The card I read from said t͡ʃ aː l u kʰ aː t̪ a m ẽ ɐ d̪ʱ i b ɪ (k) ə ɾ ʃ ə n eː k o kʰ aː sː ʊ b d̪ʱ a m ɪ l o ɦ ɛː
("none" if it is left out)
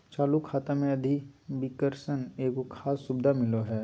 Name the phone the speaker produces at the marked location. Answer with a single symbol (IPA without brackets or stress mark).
k